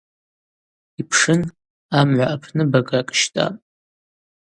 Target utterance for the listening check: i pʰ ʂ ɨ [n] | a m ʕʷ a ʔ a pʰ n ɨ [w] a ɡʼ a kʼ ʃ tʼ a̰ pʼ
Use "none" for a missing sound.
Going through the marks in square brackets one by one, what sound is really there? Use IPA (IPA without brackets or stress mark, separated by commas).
n, b